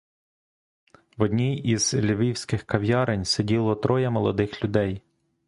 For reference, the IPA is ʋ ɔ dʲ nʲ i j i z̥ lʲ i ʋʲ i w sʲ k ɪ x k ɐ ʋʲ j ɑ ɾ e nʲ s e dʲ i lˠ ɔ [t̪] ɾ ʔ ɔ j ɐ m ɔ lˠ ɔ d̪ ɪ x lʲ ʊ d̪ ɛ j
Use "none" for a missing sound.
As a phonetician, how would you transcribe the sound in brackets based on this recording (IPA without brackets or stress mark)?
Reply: t̪